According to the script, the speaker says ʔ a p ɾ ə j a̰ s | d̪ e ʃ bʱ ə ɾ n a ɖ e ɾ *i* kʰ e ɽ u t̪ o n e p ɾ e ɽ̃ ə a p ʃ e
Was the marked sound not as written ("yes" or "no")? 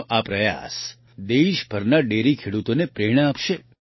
no